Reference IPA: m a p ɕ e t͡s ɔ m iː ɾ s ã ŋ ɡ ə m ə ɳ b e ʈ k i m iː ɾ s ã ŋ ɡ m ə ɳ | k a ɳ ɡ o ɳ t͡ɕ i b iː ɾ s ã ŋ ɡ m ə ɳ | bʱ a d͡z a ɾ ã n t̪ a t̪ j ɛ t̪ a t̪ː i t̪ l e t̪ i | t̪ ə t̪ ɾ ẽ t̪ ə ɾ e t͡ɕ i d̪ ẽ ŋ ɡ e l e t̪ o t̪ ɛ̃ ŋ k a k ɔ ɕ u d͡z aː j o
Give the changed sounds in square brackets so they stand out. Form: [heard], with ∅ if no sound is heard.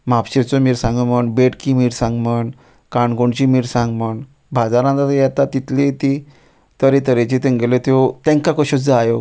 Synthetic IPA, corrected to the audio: m a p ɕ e t͡s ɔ m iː ɾ s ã ŋ ɡ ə m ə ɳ b e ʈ k i m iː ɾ s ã ŋ ɡ m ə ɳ | k a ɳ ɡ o ɳ t͡ɕ i [m] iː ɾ s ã ŋ ɡ m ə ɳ | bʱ a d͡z a ɾ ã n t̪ a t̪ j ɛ t̪ a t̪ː i t̪ l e t̪ i | t̪ ə [∅] ɾ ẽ t̪ ə ɾ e t͡ɕ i [t̪] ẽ ŋ ɡ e l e t̪ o t̪ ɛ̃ ŋ k a k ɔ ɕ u d͡z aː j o